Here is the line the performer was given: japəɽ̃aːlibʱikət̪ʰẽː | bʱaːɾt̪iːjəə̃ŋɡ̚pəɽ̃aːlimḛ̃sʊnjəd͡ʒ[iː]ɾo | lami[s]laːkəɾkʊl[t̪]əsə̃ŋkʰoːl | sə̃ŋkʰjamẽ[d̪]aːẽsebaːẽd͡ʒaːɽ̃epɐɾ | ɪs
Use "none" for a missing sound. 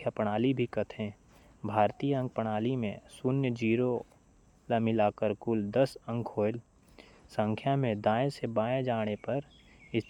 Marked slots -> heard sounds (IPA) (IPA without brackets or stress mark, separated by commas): iː, none, d̪, d̪